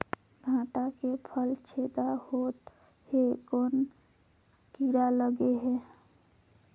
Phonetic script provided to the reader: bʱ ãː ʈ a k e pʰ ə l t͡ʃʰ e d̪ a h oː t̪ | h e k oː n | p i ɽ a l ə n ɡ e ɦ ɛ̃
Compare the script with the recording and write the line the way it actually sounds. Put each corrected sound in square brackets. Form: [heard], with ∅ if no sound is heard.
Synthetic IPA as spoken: [ɡʱ] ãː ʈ a k e pʰ ə l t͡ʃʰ e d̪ a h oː t̪ | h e k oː n | [k] i [ɾ] a l ə [∅] ɡ e ɦ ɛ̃